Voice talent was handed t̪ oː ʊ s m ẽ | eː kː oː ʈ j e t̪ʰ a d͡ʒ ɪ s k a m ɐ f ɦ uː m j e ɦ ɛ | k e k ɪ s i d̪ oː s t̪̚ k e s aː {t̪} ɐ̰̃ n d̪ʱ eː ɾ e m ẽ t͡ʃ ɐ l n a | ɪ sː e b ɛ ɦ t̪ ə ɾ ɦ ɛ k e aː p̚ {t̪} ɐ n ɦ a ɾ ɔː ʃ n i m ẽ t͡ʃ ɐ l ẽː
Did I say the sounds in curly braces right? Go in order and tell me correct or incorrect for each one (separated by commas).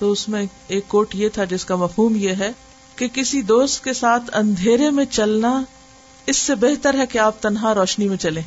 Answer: incorrect, correct